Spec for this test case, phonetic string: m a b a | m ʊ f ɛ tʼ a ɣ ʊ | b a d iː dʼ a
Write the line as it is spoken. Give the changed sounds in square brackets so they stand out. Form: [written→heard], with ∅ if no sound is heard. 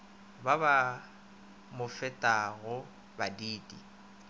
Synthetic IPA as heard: [m→b] a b a | m ʊ f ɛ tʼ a ɣ ʊ | b a d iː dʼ [a→i]